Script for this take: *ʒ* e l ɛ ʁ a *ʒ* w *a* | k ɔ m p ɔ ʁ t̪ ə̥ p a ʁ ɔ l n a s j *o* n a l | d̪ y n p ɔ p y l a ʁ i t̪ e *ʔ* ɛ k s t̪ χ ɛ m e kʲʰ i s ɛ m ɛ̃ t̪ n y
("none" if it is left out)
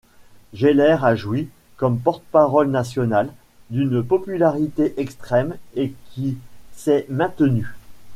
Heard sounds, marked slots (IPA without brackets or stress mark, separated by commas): ʒ, ʒ, i, ɔ, ʔ